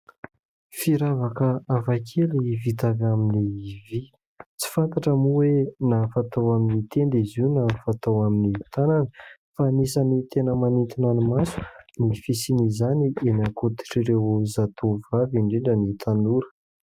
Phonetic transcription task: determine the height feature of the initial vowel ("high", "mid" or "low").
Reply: high